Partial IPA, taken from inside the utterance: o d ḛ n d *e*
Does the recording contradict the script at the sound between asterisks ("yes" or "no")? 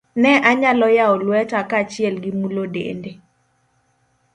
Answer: no